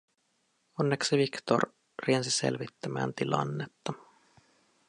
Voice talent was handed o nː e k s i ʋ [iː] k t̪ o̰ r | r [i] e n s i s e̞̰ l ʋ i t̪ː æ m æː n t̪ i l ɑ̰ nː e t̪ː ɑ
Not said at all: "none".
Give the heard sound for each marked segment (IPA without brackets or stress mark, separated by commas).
i, i